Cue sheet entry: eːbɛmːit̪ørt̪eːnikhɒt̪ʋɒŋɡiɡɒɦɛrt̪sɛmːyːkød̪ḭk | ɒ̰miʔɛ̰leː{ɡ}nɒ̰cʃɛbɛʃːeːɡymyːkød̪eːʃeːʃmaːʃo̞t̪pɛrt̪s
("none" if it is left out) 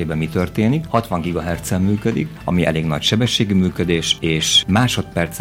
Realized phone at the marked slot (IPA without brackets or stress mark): ɡ